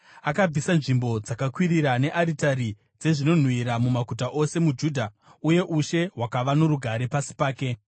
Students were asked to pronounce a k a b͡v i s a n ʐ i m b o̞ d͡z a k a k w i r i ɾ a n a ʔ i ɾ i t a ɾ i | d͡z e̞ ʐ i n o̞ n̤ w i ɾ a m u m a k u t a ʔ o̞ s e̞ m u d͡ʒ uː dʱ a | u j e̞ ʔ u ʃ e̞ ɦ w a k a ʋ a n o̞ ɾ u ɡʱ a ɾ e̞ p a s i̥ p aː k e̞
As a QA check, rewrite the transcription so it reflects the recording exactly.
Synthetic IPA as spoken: a k a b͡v i s a n ʐ i m b o̞ d͡z a k a k w i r i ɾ a n e ʔ a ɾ i t a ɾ i | d͡z e̞ ʐ i n o̞ n̤ w i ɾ a m u m a k u t a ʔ o̞ s e̞ m u d͡ʒ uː dʱ a | u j e̞ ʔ u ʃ e̞ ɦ w a k a ʋ a n o̞ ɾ u ɡʱ a ɾ e̞ p a s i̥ p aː k e̞